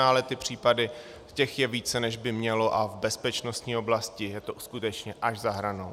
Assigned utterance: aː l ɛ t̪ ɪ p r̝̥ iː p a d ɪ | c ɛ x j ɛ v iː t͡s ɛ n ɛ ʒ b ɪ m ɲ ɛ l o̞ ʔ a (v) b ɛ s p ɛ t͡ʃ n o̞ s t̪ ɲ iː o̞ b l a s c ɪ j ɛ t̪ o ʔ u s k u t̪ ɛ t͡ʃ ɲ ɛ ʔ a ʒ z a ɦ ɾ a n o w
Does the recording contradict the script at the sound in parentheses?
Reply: no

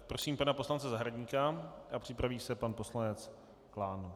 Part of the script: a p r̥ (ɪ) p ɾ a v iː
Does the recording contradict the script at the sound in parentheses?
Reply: no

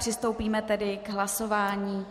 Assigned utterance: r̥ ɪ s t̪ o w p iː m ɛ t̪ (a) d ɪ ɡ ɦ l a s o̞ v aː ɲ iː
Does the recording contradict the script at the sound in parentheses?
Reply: yes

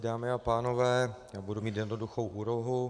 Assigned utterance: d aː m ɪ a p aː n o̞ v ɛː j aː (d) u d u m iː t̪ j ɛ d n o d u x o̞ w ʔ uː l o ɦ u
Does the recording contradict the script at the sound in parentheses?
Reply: yes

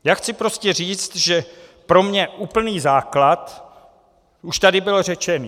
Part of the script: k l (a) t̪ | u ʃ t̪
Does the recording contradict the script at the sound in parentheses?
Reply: no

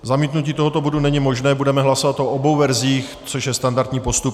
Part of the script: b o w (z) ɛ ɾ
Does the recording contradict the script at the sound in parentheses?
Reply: yes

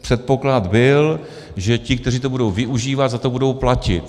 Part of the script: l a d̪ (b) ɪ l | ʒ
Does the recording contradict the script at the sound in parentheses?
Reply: no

